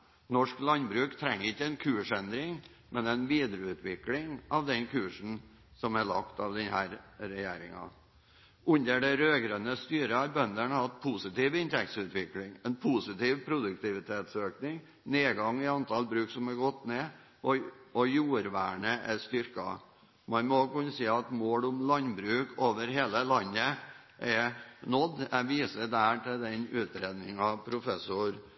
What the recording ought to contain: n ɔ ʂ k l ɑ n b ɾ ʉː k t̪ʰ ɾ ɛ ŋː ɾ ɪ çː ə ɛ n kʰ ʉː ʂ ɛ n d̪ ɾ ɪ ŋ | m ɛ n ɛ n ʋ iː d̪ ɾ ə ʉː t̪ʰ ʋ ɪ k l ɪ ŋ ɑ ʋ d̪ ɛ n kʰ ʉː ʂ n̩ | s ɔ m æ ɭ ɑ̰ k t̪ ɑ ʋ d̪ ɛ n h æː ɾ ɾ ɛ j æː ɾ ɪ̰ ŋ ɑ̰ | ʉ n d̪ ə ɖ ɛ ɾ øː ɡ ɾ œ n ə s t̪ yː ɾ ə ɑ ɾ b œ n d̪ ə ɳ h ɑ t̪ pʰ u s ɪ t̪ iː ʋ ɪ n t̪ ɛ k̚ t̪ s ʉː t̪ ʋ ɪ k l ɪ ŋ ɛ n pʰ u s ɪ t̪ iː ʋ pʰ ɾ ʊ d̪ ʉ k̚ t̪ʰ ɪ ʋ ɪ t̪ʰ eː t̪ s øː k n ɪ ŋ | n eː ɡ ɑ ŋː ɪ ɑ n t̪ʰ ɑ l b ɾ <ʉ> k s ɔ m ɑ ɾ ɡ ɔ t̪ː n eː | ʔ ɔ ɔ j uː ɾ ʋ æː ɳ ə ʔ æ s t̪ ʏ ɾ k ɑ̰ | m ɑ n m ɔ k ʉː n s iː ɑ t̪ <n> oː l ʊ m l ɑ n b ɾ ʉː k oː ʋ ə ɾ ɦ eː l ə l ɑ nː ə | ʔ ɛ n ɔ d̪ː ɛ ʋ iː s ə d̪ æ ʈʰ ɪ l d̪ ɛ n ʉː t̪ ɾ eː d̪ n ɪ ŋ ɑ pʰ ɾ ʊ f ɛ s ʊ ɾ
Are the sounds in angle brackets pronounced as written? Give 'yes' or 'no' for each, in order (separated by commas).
no, no